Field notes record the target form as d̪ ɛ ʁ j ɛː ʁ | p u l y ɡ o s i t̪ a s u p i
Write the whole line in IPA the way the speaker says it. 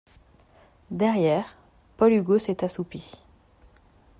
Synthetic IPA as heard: d̪ ɛ ʁ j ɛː ʁ | p ɔ l y ɡ o s ɛ t̪ a s u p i